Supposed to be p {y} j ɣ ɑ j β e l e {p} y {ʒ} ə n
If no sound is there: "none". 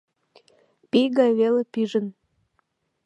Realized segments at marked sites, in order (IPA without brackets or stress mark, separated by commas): i, p, ʒ